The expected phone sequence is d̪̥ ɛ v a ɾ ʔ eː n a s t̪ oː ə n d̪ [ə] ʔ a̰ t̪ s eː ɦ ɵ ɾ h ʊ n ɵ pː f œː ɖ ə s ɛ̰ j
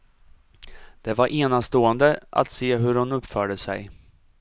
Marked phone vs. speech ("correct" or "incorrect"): correct